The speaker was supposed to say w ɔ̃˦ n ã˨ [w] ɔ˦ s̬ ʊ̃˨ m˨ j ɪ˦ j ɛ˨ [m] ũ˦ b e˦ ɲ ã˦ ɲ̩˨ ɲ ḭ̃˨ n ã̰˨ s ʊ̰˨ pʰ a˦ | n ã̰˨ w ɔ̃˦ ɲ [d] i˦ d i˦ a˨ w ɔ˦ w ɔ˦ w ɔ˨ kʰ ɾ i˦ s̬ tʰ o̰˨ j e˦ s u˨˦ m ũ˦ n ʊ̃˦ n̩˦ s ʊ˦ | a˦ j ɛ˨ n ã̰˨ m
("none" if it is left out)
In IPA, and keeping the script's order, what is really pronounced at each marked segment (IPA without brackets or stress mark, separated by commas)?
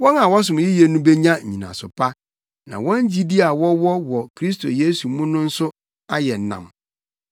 w, n, d͡ʑ